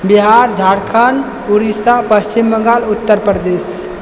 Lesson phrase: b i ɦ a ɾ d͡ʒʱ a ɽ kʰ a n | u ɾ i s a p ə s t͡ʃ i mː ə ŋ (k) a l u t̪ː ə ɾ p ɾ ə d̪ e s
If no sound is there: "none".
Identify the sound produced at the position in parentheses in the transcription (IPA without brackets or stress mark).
ɡ